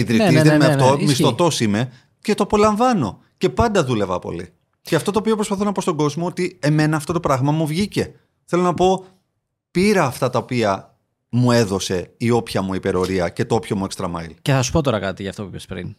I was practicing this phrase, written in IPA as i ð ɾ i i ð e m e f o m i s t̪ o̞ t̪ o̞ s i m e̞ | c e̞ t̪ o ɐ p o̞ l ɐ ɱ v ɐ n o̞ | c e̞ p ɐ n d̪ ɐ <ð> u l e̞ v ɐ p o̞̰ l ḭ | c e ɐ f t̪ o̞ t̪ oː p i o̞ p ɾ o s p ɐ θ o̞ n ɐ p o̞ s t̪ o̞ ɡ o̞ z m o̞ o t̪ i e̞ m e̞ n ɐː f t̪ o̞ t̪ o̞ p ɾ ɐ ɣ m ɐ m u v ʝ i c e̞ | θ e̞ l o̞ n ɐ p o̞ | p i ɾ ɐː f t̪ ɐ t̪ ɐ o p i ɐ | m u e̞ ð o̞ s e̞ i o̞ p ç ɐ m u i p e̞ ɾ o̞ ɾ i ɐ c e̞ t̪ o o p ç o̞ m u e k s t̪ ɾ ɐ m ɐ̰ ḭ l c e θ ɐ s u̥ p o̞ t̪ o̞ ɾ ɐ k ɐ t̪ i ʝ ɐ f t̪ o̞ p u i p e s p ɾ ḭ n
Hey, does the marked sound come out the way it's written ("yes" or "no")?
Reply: yes